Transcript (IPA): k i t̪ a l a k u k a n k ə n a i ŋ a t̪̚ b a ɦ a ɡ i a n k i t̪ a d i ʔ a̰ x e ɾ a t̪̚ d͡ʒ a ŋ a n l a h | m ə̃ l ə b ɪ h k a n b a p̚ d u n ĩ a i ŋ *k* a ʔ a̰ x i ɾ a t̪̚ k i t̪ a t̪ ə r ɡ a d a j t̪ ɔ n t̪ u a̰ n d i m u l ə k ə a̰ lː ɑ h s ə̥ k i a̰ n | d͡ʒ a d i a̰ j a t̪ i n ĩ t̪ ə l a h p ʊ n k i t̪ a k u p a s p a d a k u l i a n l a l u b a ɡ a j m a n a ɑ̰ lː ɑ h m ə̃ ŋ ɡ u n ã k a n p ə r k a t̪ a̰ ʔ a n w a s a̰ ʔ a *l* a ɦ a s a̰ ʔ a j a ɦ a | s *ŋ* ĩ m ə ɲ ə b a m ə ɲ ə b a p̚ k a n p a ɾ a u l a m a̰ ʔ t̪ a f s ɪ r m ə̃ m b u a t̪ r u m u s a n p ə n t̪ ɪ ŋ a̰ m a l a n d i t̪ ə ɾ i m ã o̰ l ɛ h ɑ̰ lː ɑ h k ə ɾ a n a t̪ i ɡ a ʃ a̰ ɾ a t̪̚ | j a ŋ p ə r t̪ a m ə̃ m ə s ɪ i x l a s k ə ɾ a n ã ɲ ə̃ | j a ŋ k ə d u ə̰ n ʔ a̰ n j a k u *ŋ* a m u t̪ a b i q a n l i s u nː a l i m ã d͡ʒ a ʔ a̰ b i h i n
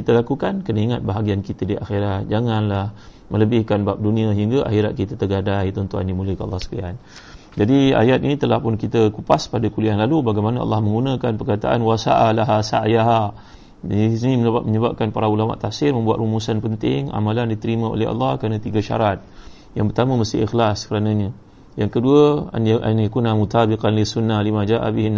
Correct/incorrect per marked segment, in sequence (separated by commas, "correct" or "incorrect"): incorrect, correct, incorrect, incorrect